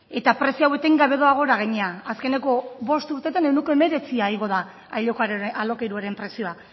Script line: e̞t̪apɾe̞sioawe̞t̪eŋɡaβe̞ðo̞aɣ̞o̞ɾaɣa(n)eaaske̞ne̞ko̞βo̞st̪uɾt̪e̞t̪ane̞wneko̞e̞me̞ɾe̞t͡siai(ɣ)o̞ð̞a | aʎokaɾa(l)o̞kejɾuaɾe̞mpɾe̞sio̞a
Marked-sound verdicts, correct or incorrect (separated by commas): incorrect, correct, correct